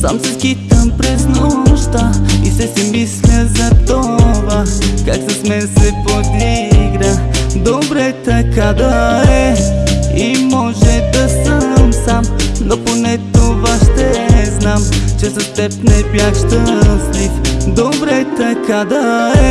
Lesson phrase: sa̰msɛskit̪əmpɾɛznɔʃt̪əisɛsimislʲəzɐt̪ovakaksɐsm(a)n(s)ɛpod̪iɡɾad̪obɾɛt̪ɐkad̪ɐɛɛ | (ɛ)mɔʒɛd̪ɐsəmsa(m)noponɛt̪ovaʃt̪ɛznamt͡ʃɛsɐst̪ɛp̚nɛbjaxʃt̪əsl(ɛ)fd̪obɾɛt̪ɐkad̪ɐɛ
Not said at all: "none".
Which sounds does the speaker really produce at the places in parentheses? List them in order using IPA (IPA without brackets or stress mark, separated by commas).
ɛ, s, i, m, i